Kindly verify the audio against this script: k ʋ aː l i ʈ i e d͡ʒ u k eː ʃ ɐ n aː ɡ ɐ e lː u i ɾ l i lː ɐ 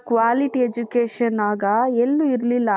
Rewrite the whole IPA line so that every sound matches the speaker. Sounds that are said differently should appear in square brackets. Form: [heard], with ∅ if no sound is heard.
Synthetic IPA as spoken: k ʋ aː l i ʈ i e d͡ʒ u k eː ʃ ɐ n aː ɡ ɐ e lː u i ɾ l i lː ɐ